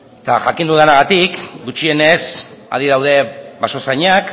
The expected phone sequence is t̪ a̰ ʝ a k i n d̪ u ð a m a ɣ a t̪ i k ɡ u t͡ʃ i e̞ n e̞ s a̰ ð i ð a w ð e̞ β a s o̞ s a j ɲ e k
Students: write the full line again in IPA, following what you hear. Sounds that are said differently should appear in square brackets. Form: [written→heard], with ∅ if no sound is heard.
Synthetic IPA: t̪ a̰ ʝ a k i n d̪ u ð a [m→n] a ɣ a t̪ i k ɡ u t͡ʃ i e̞ n e̞ s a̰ ð i ð a w ð e̞ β a s o̞ s a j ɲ [e→a] k